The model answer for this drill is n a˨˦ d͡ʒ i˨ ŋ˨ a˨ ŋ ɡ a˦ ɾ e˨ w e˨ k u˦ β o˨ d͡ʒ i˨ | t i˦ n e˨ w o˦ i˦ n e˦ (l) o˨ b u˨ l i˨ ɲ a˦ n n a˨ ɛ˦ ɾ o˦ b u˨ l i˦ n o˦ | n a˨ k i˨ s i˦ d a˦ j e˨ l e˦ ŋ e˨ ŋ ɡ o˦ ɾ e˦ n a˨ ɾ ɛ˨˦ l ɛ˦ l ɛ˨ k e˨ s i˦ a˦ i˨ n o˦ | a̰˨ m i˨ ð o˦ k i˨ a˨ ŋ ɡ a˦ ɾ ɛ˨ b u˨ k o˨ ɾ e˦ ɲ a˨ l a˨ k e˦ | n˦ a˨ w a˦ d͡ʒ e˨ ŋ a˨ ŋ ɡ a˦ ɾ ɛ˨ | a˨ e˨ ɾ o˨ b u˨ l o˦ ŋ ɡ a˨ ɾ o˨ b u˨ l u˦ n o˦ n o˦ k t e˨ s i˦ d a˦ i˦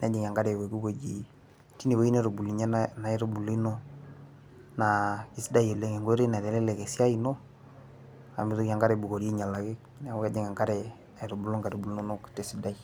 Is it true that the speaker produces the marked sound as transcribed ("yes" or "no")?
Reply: no